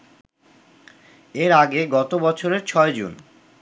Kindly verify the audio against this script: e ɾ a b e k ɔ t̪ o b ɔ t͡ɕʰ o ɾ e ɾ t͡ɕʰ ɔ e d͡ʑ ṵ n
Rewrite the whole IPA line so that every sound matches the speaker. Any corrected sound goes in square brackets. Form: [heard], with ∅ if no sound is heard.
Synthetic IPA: e ɾ a [ɡ] e [ɡ] ɔ t̪ o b ɔ t͡ɕʰ o ɾ e ɾ t͡ɕʰ ɔ e d͡ʑ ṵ n

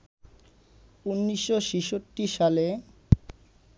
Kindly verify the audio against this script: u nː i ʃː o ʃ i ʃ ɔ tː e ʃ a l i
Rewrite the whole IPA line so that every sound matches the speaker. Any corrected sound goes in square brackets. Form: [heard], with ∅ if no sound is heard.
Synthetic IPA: u nː i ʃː o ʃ i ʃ [o] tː [i] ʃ a l [e]

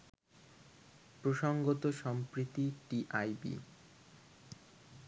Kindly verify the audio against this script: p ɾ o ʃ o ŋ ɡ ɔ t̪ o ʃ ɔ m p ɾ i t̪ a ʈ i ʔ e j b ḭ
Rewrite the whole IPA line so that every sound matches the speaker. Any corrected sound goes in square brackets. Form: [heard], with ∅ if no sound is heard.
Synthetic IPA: p ɾ o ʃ o ŋ ɡ [o] t̪ o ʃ ɔ m p ɾ i t̪ [i] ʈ i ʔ [a] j b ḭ

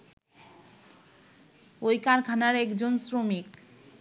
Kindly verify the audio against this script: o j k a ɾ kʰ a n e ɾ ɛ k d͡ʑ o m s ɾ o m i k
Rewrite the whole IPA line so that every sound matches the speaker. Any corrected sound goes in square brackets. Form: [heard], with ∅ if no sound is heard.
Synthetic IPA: o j k a ɾ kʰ a n [a] ɾ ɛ k d͡ʑ o [n] s ɾ o m i k

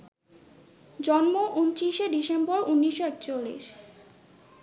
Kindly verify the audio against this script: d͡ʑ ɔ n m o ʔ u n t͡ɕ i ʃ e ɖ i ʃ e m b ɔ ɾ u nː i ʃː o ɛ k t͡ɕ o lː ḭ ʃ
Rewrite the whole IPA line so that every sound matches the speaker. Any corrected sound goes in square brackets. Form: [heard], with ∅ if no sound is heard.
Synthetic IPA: d͡ʑ ɔ n m o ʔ u n t͡ɕ i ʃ e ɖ i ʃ e m b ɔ ɾ u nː i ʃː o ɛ k t͡ɕ o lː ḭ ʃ

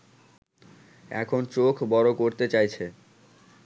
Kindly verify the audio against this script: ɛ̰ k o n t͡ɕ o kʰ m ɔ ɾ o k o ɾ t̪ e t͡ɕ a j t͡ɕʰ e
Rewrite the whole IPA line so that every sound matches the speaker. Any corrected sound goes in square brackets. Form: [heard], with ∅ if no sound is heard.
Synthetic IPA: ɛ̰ [kʰ] o n t͡ɕ o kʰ [b] ɔ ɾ o k o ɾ t̪ e t͡ɕ a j t͡ɕʰ e

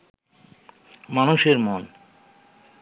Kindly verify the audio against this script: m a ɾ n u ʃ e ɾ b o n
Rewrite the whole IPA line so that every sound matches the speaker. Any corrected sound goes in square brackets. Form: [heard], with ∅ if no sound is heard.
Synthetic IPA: m a [∅] n u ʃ e ɾ [m] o n

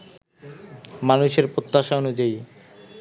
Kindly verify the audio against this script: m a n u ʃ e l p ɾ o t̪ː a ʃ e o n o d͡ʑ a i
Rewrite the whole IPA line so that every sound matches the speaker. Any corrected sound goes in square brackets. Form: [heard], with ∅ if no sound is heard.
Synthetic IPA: m a n u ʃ e [ɾ] p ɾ o t̪ː a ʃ [a] o n [u] d͡ʑ a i

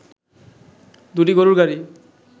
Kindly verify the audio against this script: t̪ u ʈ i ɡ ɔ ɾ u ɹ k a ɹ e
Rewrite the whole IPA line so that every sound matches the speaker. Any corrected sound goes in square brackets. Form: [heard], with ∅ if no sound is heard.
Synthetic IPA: [d̪] u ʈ i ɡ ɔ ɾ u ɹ [ɡ] a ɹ [i]

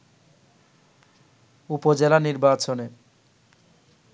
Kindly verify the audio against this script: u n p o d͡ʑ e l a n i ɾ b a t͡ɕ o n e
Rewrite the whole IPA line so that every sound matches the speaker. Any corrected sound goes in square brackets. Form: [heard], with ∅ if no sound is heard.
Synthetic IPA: u [∅] p o d͡ʑ e l a n i ɾ b a t͡ɕ o n e

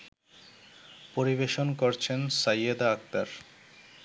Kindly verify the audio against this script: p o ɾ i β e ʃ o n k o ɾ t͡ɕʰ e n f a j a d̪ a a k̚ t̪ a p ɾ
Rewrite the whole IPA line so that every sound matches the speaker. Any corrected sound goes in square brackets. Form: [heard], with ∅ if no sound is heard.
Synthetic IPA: p o ɾ i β e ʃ o n k o ɾ t͡ɕʰ e n [s] a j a d̪ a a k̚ t̪ a [∅] ɾ

